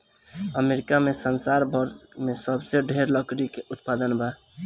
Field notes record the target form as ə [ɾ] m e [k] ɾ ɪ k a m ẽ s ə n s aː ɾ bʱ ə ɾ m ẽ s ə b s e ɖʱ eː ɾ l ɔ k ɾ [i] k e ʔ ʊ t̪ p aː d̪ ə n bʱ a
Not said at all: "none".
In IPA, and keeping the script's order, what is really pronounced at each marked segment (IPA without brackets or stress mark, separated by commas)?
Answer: none, none, i